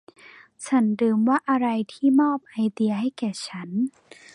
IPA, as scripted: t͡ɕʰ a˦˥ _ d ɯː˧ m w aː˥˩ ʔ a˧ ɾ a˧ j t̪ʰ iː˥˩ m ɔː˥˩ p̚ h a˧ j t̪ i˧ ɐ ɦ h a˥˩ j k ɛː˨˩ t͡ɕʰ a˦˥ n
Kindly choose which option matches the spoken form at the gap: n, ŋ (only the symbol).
n